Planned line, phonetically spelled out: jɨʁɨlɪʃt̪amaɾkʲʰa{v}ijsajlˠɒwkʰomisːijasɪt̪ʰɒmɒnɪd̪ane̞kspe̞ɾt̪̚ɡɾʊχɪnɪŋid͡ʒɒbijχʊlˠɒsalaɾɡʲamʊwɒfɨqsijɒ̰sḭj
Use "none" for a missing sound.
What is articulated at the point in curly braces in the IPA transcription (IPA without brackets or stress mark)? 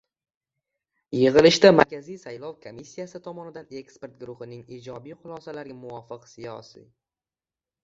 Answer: z